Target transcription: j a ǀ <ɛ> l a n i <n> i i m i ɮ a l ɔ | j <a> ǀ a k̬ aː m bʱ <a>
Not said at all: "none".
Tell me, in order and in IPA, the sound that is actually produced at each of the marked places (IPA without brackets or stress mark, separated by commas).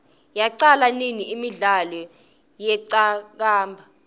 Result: a, n, ɛ, a